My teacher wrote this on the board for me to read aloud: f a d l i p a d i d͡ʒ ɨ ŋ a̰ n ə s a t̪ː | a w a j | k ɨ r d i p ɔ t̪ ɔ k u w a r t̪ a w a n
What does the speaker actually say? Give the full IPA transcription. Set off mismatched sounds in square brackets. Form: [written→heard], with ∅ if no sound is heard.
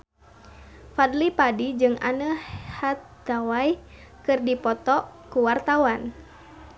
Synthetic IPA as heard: f a d l i p a d i d͡ʒ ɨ ŋ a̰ n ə [s→h] a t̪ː | a w a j | k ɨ r d i p ɔ t̪ ɔ k u w a r t̪ a w a n